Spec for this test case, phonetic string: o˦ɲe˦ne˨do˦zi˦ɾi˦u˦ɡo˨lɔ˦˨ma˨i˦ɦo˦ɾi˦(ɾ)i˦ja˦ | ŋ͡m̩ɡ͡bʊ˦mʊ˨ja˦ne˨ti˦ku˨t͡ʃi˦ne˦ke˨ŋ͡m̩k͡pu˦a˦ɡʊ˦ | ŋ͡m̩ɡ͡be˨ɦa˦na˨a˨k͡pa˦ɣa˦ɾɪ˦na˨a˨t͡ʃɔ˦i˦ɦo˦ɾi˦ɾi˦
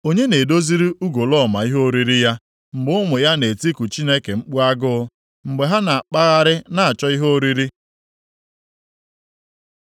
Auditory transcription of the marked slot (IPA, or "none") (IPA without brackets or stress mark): ɾ